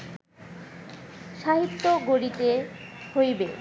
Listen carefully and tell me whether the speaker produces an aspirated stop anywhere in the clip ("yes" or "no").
no